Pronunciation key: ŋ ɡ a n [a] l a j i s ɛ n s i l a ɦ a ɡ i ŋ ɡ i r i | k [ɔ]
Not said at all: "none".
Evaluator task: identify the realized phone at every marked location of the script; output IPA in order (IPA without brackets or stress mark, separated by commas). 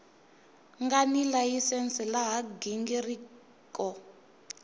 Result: i, ɔ